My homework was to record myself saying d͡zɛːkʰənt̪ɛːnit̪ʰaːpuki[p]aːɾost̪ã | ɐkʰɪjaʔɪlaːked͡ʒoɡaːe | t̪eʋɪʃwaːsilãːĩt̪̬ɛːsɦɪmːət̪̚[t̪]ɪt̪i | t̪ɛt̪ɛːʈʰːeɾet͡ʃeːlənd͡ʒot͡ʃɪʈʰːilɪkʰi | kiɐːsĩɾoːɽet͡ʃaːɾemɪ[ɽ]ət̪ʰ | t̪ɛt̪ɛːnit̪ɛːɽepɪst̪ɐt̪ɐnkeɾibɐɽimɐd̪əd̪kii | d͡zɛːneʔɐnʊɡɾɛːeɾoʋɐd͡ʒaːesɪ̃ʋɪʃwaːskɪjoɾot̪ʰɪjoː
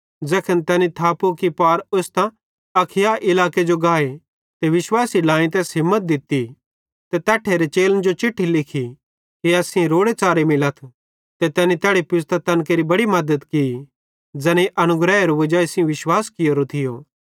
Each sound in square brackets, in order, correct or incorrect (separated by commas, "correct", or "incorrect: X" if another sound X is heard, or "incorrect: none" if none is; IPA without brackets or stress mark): correct, incorrect: d̪, incorrect: l